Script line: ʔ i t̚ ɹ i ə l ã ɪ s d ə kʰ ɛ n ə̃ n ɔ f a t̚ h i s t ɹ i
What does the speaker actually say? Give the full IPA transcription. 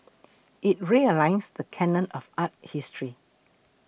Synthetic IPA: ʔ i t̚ ɹ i ə l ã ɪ s d ə kʰ ɛ n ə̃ n ɔ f a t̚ h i s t ɹ i